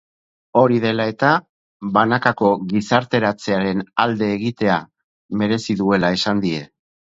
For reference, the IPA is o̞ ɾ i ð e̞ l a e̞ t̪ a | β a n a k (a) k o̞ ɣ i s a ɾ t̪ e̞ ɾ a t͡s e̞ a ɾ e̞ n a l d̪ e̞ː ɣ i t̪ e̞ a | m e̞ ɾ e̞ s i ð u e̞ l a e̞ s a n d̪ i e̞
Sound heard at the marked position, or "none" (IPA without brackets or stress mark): a